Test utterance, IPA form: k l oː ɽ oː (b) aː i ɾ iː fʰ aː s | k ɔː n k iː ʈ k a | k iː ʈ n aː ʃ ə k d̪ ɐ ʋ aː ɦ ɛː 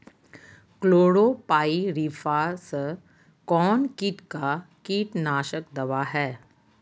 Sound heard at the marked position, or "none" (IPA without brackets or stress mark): p